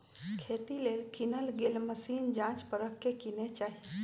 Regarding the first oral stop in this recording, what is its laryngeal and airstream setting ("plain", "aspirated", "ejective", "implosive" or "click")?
aspirated